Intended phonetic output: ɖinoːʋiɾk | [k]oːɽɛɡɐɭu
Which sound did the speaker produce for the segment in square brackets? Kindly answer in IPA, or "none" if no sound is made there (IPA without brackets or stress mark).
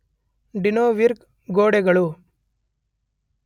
ɡ